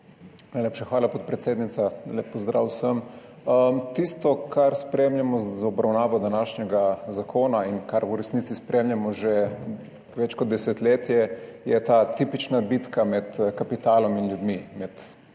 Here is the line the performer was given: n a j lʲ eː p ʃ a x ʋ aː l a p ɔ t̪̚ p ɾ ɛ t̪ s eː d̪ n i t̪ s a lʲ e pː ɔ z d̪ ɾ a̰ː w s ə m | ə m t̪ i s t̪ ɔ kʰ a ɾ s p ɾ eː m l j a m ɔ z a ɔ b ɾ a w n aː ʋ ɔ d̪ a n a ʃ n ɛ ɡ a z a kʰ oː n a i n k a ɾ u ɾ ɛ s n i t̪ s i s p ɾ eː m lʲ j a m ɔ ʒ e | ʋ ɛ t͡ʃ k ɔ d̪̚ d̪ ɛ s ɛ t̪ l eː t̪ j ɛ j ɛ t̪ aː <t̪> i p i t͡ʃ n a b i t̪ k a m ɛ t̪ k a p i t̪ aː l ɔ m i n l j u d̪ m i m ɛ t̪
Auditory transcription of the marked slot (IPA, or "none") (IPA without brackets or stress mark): t̪